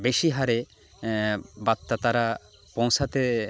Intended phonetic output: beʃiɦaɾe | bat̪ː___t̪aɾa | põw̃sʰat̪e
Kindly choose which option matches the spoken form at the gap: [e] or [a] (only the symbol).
a